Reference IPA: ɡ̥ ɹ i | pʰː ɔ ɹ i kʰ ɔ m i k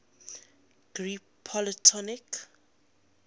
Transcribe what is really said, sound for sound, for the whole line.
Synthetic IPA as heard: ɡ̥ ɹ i | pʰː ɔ l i tʰ ɔ n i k